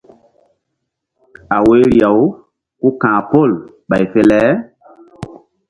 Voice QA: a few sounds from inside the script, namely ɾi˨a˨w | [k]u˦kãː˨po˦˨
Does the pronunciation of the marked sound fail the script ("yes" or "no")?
no